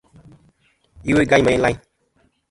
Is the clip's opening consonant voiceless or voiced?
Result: voiced